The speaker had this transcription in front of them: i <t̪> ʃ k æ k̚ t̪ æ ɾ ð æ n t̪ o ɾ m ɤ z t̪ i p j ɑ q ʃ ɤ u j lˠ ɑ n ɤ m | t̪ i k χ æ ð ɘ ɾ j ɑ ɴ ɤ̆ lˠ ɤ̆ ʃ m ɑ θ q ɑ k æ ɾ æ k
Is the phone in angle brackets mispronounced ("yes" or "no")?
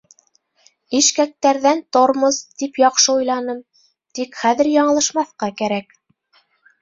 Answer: yes